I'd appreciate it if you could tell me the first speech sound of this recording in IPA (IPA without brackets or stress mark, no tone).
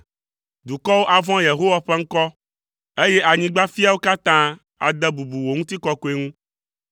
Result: d̪